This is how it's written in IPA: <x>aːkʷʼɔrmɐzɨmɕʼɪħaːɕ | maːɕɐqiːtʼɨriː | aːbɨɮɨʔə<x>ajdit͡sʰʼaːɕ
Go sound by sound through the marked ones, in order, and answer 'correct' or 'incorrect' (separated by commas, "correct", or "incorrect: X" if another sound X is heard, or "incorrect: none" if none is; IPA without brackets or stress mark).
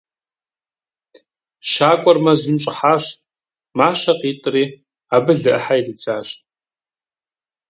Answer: incorrect: ʃ, incorrect: ħ